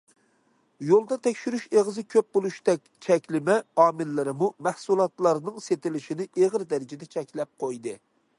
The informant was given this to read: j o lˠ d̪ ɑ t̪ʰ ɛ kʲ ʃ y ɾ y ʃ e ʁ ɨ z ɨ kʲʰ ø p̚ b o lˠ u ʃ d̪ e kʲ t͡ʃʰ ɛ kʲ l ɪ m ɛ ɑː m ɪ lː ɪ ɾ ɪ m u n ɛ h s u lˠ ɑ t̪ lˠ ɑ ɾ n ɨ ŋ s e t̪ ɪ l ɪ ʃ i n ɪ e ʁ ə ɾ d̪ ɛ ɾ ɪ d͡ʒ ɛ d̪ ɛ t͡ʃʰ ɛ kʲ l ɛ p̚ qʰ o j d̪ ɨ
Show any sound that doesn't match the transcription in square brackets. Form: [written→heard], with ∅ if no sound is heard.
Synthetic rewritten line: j o lˠ d̪ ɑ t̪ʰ ɛ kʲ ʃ y ɾ y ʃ e ʁ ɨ z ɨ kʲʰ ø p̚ b o lˠ u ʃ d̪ [e→ɛ] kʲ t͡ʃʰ ɛ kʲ l ɪ m ɛ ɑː m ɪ lː ɪ ɾ ɪ m u [n→m] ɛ h s u lˠ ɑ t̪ lˠ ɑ ɾ n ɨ ŋ s e t̪ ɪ l ɪ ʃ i n ɪ e ʁ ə ɾ d̪ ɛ ɾ ɪ d͡ʒ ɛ d̪ ɛ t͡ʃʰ ɛ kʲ l ɛ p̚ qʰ o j d̪ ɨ